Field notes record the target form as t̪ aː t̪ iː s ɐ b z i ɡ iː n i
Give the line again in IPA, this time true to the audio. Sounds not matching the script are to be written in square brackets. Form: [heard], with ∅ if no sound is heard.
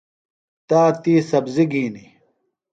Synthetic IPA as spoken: t̪ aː t̪ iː s ɐ b z i ɡ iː n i